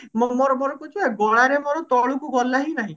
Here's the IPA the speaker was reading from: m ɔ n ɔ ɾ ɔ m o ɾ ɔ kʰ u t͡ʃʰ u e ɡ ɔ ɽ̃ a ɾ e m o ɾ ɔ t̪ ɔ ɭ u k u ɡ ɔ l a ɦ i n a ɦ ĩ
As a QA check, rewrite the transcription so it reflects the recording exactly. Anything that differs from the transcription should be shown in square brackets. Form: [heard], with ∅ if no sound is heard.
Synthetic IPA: m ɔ [m] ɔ ɾ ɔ m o ɾ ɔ [k] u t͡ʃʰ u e ɡ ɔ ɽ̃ a ɾ e m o ɾ ɔ t̪ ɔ ɭ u k u ɡ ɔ l a ɦ i n a ɦ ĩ